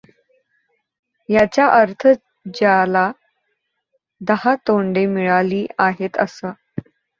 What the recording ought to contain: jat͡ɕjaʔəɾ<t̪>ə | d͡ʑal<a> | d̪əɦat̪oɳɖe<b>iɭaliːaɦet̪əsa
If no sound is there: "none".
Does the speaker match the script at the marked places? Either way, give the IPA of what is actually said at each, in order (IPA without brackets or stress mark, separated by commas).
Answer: t̪ʰ, a, m